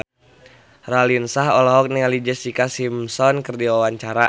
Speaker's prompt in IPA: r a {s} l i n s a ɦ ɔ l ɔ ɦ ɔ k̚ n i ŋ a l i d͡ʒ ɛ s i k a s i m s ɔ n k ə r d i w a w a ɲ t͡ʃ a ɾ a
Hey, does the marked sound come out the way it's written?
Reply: no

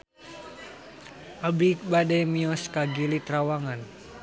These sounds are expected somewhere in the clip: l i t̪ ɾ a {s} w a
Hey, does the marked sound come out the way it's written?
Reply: no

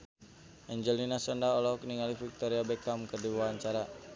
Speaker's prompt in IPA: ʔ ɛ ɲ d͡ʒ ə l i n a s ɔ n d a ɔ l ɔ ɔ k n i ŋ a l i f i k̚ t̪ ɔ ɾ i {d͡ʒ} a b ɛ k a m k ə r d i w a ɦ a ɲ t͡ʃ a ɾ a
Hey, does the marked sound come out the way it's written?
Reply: no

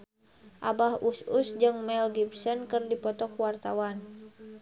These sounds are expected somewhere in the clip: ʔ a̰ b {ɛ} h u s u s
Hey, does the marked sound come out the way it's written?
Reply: no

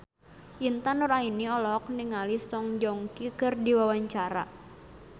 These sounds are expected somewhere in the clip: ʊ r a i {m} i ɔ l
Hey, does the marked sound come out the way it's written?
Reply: no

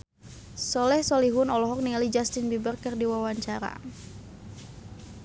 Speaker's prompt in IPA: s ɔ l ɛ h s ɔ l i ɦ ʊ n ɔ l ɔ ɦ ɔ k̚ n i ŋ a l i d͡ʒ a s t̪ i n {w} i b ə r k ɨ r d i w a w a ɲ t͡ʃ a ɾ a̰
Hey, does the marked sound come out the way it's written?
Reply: no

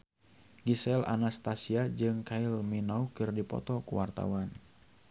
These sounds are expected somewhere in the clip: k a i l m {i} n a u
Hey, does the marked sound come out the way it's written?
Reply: yes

